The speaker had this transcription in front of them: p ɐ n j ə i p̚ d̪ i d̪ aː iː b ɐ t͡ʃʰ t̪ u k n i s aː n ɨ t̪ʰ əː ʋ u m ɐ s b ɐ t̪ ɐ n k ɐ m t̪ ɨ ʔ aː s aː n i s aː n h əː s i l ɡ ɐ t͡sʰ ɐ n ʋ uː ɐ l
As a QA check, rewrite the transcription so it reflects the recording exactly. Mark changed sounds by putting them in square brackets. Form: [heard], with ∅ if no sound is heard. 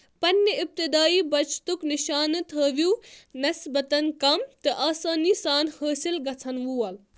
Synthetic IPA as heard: p ɐ n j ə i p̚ [t̪] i d̪ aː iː b ɐ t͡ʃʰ t̪ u k n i [ʃ] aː n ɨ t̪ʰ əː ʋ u [n] ɐ s b ɐ t̪ ɐ n k ɐ m t̪ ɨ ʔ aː s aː n i s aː n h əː s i l ɡ ɐ t͡sʰ ɐ n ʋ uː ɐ l